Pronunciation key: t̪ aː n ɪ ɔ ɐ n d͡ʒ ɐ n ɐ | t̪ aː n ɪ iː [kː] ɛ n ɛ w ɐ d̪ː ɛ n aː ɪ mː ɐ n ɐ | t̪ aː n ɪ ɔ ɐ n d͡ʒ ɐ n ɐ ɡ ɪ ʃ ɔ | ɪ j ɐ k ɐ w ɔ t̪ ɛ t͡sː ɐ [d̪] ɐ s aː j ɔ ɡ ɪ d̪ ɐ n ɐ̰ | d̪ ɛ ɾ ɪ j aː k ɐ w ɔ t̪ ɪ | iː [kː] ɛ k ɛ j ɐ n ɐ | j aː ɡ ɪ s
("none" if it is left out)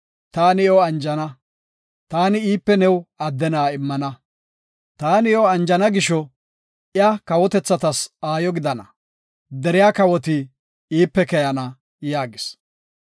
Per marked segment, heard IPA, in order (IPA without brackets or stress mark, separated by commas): pː, t̪, pː